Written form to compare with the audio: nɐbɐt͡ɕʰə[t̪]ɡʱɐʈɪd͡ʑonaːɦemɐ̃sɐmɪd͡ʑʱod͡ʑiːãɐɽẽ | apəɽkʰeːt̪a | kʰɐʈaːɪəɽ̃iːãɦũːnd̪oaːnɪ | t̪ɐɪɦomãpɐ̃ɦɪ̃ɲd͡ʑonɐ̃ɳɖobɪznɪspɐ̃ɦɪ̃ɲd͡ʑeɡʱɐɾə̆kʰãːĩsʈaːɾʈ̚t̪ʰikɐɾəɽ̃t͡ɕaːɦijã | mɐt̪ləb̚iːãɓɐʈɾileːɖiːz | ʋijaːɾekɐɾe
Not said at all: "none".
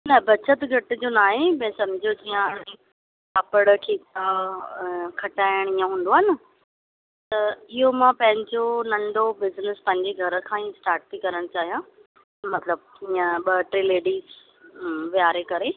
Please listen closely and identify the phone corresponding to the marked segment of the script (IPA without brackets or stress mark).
t̪